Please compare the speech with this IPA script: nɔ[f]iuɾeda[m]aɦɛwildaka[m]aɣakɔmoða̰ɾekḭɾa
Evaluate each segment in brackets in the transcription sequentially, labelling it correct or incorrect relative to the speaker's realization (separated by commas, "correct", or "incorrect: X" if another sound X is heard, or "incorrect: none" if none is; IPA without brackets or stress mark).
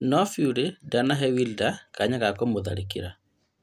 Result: correct, incorrect: n, incorrect: ɲ